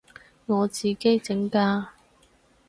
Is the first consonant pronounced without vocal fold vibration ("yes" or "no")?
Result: no